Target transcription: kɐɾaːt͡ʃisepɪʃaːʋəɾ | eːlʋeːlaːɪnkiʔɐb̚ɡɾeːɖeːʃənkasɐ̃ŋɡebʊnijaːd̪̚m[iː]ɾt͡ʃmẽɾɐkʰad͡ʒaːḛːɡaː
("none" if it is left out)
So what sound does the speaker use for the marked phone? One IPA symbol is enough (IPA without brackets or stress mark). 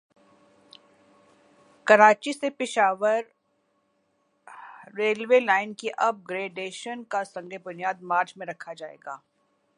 aː